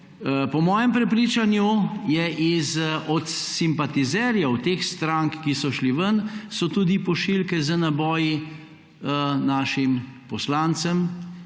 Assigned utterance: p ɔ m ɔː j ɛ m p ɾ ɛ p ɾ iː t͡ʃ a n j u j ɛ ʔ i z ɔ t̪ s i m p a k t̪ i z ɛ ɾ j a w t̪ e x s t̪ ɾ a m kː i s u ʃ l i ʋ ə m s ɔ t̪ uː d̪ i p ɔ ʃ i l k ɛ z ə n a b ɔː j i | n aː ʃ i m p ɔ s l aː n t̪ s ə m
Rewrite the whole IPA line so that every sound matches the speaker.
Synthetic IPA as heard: p ɔ m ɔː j ɛ m p ɾ ɛ p ɾ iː t͡ʃ a n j u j ɛ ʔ i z ɔ t̪ s i m p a t̪ i z ɛ ɾ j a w t̪ e x s t̪ ɾ a ŋ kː i s ɔ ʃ l i ʋ ə n s ɔ t̪ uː d̪ i p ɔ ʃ i l k ɛ z ə n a b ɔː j i | n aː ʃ i m p ɔ s l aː n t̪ s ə m